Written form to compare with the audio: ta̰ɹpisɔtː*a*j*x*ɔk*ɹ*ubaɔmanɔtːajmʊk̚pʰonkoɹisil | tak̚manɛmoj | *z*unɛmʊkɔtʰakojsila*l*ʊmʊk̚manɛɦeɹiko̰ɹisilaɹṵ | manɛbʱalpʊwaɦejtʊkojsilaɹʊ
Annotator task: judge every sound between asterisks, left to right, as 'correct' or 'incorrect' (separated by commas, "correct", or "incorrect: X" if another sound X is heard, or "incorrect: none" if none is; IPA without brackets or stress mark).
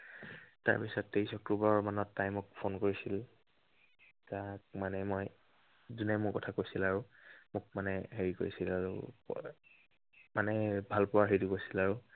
incorrect: e, incorrect: s, correct, correct, incorrect: ɹ